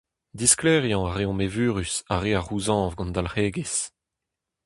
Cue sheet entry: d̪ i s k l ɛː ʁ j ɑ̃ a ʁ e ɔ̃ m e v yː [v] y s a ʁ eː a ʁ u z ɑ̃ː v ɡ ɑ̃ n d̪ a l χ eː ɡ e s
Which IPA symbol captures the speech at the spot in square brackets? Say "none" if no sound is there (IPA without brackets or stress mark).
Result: ʁ